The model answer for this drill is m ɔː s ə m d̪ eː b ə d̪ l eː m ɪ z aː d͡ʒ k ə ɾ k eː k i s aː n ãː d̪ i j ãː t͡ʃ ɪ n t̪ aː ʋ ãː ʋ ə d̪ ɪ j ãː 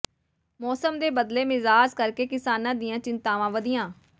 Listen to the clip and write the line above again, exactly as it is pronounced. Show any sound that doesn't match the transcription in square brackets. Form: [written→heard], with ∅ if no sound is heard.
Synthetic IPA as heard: m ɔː s ə m d̪ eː b ə d̪ l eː m ɪ z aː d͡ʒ k ə ɾ k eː k [i→ɪ] s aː n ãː d̪ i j ãː t͡ʃ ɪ n t̪ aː ʋ ãː ʋ ə d̪ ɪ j ãː